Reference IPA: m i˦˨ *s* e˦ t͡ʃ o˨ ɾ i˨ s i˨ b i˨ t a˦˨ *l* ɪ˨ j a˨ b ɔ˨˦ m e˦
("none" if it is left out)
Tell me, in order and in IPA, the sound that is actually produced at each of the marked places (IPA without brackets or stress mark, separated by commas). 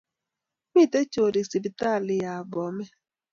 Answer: t, l